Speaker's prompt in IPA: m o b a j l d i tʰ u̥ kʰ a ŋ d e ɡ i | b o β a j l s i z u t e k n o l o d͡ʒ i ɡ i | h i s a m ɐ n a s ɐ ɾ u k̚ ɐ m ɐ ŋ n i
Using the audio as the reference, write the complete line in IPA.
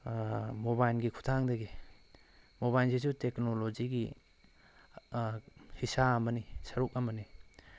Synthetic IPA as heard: m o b a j l ɡ i kʰ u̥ tʰ a ŋ d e ɡ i | m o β a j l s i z u t e k n o l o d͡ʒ i ɡ i | h i s a m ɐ n i s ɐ ɾ u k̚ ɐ m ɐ n i